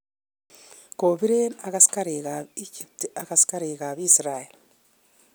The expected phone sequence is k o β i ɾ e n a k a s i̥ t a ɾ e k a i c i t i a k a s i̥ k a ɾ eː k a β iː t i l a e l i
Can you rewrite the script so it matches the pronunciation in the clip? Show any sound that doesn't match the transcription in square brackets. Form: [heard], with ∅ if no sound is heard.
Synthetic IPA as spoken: k o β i ɾ e n a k a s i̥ [k] a ɾ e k a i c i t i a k a s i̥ k a ɾ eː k a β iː [s] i [ɾ] a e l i